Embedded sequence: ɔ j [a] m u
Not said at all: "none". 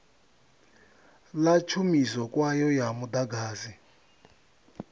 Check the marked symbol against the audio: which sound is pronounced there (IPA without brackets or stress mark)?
a